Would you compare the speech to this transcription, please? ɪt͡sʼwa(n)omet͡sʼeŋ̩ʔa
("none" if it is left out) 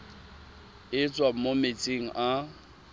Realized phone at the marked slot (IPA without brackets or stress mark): m